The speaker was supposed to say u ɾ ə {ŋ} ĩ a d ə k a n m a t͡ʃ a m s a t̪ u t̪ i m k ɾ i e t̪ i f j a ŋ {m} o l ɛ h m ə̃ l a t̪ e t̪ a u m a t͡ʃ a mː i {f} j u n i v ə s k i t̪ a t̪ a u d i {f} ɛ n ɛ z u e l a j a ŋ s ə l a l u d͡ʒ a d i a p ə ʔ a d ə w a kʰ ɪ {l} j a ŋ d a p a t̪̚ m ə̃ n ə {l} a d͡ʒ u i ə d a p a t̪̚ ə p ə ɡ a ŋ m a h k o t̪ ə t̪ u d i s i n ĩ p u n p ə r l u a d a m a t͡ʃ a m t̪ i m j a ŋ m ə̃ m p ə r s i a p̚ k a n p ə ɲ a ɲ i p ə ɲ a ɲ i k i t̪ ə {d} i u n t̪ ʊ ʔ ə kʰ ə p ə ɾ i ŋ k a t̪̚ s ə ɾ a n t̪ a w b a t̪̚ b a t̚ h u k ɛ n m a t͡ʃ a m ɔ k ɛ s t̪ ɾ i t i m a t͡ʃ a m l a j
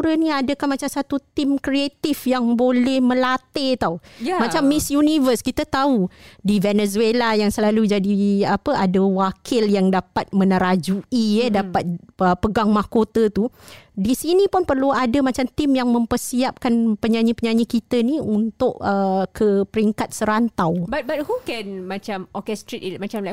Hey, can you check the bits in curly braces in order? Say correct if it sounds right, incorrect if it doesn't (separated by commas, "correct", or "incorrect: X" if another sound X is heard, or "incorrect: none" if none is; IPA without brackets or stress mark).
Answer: incorrect: n, incorrect: b, incorrect: s, incorrect: v, correct, incorrect: ɾ, incorrect: n